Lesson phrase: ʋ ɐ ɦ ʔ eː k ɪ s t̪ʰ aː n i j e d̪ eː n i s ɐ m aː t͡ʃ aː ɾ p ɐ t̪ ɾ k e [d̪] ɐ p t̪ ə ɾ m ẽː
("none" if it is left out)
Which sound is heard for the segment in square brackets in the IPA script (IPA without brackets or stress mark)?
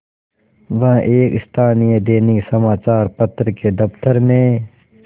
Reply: d̪